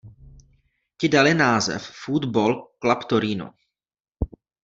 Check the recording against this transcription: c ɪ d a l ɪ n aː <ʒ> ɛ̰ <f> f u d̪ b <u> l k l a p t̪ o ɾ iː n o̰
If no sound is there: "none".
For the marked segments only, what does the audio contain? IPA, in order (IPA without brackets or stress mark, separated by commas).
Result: z, f, o